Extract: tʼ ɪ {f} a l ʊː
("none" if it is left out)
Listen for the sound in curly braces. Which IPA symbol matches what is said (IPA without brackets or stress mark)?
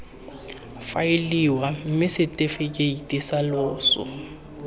s